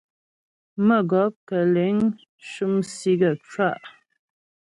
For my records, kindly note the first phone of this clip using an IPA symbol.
m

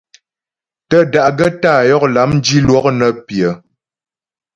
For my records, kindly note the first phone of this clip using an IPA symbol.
t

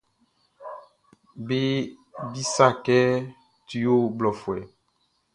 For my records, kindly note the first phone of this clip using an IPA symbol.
b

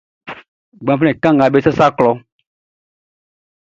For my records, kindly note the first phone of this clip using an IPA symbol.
ɡ͡b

